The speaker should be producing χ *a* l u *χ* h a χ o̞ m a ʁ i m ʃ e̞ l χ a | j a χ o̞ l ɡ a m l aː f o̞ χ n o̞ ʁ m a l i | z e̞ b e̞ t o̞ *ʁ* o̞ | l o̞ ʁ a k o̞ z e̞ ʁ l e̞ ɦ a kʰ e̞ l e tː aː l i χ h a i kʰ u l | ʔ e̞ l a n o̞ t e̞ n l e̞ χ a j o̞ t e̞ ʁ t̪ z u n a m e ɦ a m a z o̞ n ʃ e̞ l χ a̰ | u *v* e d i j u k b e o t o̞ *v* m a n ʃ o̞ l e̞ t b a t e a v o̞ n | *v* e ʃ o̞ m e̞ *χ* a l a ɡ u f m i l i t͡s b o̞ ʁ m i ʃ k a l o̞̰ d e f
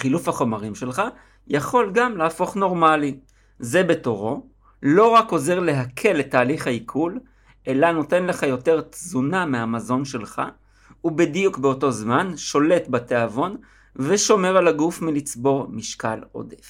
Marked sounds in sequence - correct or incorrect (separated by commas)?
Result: incorrect, incorrect, correct, incorrect, incorrect, correct, incorrect